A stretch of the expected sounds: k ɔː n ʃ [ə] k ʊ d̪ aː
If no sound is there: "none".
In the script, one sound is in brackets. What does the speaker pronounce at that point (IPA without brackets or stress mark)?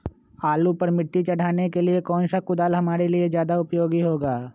a